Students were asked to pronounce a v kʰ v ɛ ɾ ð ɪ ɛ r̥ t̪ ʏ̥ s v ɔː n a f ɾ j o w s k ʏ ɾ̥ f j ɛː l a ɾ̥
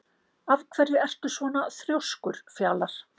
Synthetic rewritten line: a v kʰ v ɛ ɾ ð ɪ ɛ r̥ t̪ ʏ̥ s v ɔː n a θ ɾ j o w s k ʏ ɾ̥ f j aː l a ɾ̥